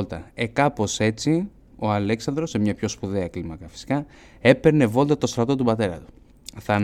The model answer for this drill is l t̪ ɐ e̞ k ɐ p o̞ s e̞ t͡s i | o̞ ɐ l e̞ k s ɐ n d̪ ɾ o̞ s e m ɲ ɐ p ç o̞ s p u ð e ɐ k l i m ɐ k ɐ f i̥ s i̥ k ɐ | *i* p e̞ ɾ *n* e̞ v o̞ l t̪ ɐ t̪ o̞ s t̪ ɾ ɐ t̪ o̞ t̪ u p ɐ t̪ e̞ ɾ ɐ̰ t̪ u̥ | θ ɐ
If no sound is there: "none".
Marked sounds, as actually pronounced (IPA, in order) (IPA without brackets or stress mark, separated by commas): e, n